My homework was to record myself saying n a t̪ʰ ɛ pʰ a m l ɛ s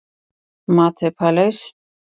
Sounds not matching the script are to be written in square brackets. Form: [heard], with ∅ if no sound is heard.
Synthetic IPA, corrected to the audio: [m] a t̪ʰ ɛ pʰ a [∅] l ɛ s